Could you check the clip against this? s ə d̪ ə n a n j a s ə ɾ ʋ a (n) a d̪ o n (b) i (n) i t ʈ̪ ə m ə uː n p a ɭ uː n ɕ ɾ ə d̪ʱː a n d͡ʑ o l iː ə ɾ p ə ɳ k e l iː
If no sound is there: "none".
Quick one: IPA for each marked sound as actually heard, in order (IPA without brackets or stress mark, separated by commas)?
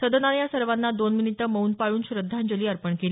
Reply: nː, m, n